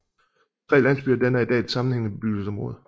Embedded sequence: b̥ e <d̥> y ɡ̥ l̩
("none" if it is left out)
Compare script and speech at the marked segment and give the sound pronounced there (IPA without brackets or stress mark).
b̥